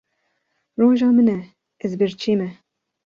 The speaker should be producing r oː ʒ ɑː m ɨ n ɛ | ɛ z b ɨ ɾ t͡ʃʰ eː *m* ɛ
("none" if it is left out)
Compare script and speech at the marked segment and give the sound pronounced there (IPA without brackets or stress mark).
m